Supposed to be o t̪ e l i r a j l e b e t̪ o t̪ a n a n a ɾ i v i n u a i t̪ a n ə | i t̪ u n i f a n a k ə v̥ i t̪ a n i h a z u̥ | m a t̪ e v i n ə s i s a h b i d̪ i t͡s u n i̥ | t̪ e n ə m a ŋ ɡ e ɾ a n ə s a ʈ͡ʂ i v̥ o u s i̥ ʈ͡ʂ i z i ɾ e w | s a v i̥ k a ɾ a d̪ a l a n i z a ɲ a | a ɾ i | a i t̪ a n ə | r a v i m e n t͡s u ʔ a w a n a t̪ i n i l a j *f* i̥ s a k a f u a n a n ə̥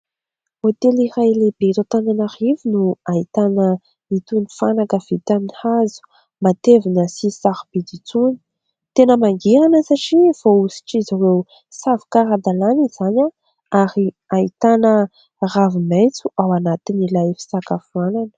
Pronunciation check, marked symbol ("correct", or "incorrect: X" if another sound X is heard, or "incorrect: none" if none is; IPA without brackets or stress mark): correct